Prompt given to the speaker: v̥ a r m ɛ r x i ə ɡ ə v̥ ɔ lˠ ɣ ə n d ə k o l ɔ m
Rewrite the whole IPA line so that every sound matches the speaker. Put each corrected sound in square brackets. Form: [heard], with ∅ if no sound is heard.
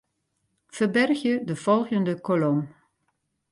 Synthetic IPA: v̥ [ə] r [b] ɛ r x [j] ə [d] ə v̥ ɔ lˠ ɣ ə n d ə k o l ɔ m